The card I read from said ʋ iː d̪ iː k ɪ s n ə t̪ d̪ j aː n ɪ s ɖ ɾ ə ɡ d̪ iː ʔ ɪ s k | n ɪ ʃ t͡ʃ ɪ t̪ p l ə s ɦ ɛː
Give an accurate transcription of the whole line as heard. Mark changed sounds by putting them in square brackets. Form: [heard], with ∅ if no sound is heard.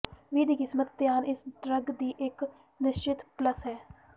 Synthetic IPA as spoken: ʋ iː d̪ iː k ɪ s [m] ə t̪ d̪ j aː n ɪ s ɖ ɾ ə ɡ d̪ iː ʔ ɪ [∅] k | n ɪ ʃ t͡ʃ ɪ t̪ p l ə s ɦ ɛː